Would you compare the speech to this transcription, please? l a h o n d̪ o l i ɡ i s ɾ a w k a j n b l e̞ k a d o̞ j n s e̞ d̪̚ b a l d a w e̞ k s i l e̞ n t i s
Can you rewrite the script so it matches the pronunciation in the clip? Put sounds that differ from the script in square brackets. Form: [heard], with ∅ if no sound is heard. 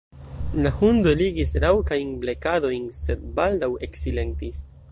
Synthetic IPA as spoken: l a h [u] n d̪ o l i ɡ i s ɾ a w k a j n b l e̞ k a d o̞ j n s e̞ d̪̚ b a l d a w e̞ k s i l e̞ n t i s